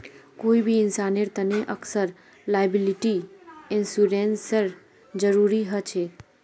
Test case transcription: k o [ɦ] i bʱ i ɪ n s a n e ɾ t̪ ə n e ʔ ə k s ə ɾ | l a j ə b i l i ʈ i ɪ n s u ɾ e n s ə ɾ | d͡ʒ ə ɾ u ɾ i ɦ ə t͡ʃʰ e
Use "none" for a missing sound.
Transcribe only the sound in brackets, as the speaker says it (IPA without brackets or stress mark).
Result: none